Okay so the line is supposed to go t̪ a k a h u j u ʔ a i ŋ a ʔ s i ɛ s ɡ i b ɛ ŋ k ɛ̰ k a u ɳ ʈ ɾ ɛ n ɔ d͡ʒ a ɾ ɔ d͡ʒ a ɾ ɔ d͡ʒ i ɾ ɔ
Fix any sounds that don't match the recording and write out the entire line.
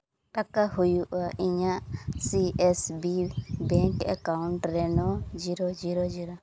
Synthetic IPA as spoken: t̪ a k a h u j u ʔ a i ɲ a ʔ s i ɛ s b i b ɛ ŋ k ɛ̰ k a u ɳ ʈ ɾ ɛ n ɔ d͡ʒ i ɾ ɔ d͡ʒ i ɾ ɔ d͡ʒ i ɾ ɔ